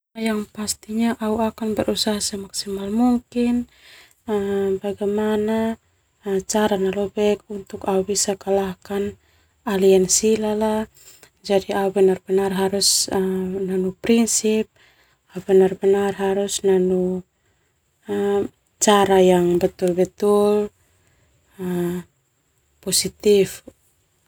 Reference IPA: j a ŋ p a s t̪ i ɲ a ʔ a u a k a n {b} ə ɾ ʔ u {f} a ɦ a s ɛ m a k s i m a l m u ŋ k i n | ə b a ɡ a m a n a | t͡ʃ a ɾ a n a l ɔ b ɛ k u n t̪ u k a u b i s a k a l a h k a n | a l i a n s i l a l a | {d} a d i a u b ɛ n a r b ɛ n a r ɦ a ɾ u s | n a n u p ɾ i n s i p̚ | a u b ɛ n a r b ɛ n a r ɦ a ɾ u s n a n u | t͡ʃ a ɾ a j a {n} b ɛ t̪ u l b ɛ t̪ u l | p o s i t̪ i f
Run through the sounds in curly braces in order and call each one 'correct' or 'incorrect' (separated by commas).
correct, incorrect, incorrect, incorrect